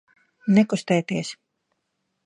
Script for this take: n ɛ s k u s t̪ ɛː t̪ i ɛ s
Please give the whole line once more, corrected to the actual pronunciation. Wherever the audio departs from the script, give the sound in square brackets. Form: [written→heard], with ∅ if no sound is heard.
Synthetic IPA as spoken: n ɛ [s→∅] k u s t̪ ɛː t̪ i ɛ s